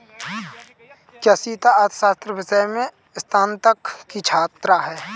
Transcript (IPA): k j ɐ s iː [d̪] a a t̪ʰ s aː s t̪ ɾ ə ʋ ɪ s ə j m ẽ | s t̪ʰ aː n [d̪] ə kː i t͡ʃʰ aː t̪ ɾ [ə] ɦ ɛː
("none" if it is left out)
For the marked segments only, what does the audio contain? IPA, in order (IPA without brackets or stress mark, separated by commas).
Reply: t̪, t̪, a